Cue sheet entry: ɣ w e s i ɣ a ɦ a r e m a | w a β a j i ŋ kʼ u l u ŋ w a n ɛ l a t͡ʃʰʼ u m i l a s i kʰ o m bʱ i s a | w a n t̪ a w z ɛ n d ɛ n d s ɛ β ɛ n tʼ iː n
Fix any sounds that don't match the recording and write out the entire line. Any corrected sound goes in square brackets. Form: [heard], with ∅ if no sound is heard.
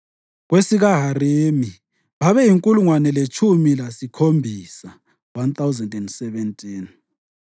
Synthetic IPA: ɣ w e s i ɣ a ɦ a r e m [i] | [β] a β [ɛ] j i ŋ kʼ u l u ŋ w a n ɛ l [e] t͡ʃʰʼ u m i l a s i kʰ o m bʱ i s a | w a n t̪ a w z ɛ n d ɛ n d s ɛ β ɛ n tʼ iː n